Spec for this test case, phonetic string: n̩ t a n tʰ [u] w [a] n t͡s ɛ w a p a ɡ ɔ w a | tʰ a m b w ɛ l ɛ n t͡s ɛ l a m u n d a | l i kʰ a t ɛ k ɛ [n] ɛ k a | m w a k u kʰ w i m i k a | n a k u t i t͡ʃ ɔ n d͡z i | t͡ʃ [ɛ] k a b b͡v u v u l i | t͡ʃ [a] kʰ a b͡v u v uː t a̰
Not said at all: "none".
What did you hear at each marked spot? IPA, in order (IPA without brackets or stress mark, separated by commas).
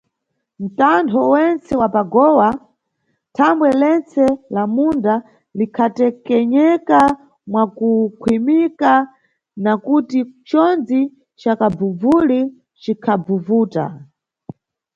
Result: ɔ, ɛ, ɲ, a, i